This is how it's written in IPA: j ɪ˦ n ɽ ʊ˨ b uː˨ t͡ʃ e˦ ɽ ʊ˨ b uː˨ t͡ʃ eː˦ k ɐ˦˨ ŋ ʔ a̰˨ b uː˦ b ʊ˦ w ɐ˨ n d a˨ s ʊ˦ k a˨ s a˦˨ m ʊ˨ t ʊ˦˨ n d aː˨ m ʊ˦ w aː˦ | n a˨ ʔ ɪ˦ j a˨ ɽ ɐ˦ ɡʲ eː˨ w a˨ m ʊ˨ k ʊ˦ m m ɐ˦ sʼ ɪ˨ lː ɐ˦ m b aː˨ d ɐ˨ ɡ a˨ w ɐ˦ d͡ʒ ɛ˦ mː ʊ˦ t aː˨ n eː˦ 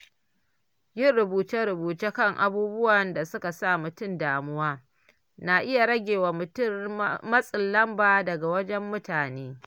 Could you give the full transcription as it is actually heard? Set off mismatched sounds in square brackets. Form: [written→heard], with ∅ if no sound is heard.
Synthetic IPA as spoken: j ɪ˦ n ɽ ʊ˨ b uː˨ t͡ʃ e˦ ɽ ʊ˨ b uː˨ t͡ʃ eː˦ k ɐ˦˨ ŋ ʔ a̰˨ b uː˦ b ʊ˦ w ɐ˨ n d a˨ s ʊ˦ k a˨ s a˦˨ m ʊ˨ t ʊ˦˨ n d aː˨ m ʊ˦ w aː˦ | n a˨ ʔ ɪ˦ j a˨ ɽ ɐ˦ ɡʲ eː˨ w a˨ m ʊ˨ [k→t] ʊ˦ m m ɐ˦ sʼ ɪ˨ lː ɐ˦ m b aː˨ d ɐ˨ ɡ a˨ w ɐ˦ d͡ʒ ɛ˦ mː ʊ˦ t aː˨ n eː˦